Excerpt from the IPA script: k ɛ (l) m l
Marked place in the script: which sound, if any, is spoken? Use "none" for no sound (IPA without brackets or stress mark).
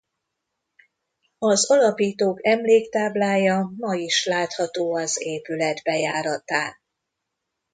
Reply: none